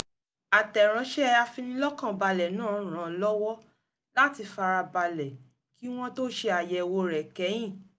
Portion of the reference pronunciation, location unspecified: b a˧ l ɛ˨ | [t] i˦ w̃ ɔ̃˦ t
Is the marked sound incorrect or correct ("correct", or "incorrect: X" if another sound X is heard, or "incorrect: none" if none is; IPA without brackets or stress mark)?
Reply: incorrect: k